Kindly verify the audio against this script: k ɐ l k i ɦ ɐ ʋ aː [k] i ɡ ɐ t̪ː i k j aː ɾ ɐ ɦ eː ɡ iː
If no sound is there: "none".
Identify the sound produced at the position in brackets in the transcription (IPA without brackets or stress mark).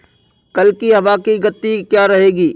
k